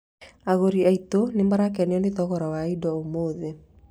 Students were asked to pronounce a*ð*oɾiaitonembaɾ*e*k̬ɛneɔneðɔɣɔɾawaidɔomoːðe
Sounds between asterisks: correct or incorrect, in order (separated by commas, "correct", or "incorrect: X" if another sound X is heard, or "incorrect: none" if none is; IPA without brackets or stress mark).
incorrect: ɣ, incorrect: a